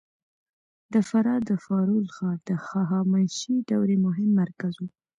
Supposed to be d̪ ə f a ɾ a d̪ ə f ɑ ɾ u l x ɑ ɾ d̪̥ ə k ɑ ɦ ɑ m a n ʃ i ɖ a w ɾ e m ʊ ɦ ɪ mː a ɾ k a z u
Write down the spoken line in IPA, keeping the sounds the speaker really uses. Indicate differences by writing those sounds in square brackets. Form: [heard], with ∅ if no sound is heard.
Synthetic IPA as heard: d̪ ə f a ɾ [ɑ] d̪ ə f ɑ ɾ u l x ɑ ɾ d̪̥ ə [x] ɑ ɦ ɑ m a n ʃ i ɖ a w ɾ e m ʊ ɦ ɪ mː a ɾ k a z u